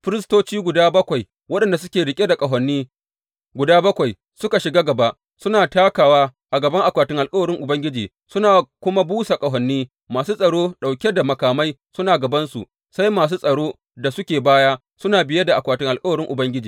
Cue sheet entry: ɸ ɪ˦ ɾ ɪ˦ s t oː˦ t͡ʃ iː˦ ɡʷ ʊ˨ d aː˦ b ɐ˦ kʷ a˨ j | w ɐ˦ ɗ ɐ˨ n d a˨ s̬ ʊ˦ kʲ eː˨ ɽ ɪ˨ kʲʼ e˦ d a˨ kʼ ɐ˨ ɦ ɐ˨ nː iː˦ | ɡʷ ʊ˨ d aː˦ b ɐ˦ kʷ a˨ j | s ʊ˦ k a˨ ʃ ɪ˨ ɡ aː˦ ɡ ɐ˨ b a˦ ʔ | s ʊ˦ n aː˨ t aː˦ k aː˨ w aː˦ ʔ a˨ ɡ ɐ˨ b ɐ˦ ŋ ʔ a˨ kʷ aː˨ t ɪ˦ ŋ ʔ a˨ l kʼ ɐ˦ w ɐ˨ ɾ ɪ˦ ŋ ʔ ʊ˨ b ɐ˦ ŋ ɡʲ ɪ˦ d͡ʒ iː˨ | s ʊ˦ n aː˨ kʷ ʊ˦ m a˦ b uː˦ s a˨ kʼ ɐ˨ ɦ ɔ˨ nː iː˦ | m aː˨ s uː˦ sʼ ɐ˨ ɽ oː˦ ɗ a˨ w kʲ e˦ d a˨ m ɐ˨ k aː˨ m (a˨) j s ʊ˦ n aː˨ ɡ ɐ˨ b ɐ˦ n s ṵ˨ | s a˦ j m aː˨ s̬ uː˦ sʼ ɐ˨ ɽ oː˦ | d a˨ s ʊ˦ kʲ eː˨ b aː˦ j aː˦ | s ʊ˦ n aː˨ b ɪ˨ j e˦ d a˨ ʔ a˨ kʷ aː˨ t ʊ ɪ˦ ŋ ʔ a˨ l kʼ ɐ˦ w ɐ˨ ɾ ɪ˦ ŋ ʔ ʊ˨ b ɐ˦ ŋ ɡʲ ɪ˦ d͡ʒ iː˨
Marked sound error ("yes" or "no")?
yes